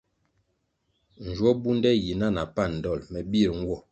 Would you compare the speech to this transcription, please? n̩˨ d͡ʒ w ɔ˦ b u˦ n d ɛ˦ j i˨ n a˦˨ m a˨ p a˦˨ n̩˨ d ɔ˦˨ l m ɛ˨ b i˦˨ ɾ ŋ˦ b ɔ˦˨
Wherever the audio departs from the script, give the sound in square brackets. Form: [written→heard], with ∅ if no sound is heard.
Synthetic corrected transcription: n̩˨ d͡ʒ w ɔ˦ b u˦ n d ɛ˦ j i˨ n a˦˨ [m→n] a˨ p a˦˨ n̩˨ d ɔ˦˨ l m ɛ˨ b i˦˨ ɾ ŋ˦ [b→w] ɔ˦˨

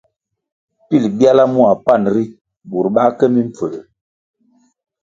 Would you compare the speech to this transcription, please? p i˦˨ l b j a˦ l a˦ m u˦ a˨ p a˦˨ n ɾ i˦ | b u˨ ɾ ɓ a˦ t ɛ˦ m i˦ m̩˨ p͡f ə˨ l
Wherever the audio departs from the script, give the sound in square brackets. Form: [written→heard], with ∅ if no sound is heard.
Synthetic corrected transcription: p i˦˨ l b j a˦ l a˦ m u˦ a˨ p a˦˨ n ɾ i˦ | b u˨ ɾ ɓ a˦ [t→k] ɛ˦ m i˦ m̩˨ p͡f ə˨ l

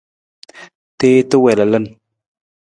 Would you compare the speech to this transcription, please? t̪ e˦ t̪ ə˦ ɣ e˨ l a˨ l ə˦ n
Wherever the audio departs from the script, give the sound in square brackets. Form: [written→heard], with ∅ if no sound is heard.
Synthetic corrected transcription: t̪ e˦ t̪ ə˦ [ɣ→w] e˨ l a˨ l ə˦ n

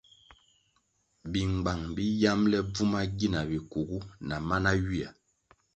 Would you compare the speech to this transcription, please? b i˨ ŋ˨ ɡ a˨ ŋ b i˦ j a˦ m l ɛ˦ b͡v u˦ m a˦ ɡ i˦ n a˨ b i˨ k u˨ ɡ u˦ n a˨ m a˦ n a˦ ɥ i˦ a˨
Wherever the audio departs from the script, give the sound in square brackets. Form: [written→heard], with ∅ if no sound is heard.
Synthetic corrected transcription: b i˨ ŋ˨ [ɡ→ɡ͡b] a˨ ŋ b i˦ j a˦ m l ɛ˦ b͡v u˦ m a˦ ɡ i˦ n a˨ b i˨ k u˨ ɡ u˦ n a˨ m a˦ n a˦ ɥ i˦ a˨

